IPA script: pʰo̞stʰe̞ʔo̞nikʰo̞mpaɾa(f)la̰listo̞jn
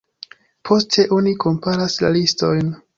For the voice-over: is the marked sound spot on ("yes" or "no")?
no